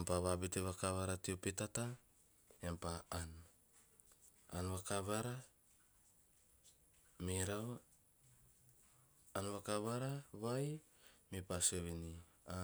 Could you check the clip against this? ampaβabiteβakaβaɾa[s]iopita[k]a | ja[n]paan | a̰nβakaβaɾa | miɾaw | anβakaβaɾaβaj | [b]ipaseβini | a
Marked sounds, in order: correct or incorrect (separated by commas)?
incorrect, incorrect, incorrect, incorrect